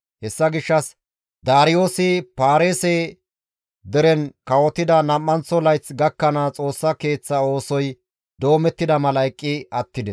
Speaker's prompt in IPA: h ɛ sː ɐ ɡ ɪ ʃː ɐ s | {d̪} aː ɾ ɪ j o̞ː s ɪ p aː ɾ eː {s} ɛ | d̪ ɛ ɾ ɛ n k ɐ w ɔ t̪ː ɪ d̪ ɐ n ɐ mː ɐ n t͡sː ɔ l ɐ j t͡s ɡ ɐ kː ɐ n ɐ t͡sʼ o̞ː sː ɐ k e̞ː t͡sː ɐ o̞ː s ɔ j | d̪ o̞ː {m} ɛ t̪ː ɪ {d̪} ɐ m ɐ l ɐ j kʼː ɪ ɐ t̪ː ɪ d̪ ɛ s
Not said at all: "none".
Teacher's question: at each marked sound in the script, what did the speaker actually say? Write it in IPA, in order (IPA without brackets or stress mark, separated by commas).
d̪, s, m, d̪